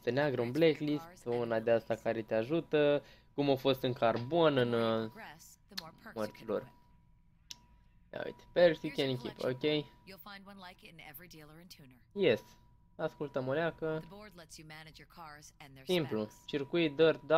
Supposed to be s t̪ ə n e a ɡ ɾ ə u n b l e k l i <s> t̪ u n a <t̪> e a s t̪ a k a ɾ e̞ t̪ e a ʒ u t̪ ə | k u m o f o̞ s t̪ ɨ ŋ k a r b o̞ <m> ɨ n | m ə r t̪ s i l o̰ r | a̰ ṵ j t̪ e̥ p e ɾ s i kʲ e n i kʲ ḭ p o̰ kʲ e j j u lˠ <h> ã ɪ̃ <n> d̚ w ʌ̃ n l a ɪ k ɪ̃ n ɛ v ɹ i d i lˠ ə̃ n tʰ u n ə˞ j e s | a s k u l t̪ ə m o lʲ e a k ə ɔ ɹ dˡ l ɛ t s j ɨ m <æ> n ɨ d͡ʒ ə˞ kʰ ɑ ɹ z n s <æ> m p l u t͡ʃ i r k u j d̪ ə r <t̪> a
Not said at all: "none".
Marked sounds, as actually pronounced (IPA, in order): s, d̪, n, f, n, æ, i, d̪

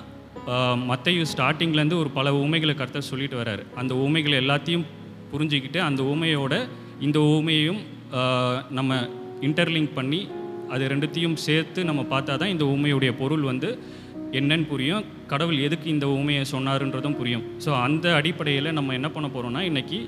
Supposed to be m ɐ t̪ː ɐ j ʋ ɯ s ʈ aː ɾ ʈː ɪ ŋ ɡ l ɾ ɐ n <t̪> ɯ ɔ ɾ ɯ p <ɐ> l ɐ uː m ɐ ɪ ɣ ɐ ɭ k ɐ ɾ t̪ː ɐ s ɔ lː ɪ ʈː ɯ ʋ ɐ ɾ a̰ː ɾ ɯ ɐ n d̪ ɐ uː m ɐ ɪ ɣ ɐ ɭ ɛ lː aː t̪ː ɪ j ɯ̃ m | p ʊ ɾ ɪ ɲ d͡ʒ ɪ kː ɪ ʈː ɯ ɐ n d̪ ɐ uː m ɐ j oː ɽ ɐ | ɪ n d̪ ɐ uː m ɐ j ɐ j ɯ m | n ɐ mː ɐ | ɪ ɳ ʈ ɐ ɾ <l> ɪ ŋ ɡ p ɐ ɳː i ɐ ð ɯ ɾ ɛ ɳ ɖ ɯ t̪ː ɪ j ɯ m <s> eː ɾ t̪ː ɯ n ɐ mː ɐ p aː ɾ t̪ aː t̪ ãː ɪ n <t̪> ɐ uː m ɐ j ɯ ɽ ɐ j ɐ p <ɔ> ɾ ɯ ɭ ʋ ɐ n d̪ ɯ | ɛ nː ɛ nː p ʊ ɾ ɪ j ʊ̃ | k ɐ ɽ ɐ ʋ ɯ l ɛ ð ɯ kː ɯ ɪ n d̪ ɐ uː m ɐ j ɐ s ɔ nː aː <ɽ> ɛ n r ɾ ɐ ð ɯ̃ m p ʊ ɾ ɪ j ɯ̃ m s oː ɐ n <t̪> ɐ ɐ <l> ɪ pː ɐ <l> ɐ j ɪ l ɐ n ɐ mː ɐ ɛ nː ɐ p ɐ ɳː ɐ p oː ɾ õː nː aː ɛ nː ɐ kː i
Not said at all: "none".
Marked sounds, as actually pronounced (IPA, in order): d̪, ɐ, l, s, d̪, ɔ, ɾ, d̪, ɽ, ɽ

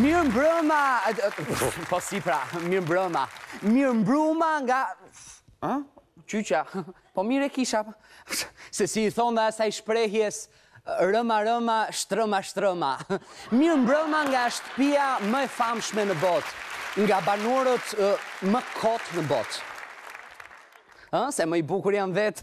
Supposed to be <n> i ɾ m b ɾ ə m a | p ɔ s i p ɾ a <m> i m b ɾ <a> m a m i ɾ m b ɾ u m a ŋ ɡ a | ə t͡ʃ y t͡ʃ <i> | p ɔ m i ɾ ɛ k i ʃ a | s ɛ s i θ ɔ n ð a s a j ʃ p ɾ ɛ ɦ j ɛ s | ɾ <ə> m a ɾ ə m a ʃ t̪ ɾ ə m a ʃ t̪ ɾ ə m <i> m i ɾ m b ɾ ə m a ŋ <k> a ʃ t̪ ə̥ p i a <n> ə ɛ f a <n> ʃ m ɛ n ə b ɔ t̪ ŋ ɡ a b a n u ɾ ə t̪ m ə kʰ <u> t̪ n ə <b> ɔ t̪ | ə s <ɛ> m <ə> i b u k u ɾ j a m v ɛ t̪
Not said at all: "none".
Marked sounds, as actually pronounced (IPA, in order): m, m, ə, a, ə, a, ɡ, m, m, ɔ, b, ɛ, ə

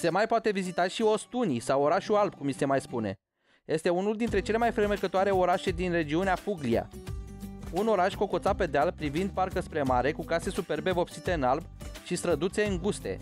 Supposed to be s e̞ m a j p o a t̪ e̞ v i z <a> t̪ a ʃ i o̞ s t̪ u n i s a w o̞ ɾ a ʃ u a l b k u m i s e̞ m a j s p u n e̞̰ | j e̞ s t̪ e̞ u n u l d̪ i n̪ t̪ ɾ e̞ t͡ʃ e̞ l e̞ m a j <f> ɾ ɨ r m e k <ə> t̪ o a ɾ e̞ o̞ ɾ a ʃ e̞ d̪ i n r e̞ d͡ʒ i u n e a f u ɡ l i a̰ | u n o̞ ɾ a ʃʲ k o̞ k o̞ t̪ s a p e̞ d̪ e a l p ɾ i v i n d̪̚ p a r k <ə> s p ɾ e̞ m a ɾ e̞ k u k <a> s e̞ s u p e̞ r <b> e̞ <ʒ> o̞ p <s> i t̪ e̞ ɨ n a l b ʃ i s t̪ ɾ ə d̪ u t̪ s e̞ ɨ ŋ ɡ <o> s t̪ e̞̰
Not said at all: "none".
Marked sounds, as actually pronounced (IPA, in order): i, f, ə, ə, a, b, v, s, u

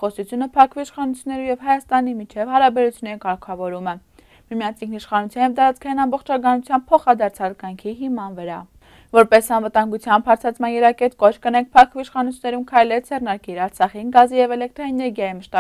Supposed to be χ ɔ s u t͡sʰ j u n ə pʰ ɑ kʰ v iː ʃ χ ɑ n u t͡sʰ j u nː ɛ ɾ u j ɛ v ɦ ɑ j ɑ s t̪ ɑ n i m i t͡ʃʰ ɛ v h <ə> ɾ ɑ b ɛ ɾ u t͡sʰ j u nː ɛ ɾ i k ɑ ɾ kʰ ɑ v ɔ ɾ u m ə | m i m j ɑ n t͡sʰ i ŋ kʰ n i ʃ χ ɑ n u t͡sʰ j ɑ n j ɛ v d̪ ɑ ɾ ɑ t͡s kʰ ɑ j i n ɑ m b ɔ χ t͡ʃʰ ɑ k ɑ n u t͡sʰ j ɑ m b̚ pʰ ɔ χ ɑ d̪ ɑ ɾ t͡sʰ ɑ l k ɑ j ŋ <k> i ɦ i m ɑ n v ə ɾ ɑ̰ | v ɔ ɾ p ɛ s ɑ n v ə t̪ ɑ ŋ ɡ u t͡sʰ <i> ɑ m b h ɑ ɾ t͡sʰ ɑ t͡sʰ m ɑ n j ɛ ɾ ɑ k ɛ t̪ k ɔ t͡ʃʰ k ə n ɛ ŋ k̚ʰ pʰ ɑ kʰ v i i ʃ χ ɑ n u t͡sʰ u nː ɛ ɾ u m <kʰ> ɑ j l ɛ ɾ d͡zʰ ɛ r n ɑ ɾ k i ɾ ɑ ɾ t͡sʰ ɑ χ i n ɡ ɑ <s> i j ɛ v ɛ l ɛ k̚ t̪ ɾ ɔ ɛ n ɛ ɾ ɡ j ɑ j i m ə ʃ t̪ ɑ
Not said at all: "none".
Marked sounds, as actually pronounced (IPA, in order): ɑ, kʰ, j, kʰ, z

